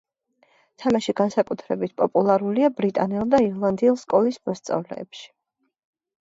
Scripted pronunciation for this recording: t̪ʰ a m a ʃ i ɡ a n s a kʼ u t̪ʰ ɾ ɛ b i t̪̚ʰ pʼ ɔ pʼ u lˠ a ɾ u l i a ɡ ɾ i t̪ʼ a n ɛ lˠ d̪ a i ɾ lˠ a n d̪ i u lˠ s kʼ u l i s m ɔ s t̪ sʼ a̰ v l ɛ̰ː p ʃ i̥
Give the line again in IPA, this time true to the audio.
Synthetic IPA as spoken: t̪ʰ a m a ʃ i ɡ a n s a kʼ u t̪ʰ ɾ ɛ b i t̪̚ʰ pʼ ɔ pʼ u lˠ a ɾ u l i a b ɾ i t̪ʼ a n ɛ lˠ d̪ a i ɾ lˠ a n d̪ i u lˠ s kʼ ɔ l i s m ɔ s t̪ sʼ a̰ v l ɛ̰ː p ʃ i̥